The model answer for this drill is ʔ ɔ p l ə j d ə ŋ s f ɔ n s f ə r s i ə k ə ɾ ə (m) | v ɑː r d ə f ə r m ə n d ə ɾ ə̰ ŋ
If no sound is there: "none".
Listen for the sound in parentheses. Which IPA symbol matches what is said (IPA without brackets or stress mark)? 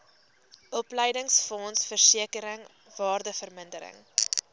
ŋ